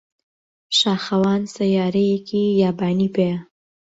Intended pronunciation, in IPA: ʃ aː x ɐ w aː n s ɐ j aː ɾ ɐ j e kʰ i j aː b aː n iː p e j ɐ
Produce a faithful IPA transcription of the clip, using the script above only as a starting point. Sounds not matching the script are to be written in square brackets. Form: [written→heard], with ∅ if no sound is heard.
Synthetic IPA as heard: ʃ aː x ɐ w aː n s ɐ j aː ɾ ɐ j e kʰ i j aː b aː n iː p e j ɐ